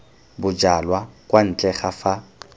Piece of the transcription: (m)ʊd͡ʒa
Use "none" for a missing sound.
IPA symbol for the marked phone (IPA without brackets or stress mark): b